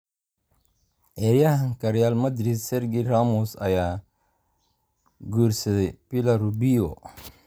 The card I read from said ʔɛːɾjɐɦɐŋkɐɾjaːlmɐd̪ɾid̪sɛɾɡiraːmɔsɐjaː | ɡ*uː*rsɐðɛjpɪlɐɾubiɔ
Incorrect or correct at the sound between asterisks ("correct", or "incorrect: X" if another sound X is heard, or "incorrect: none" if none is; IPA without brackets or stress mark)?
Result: correct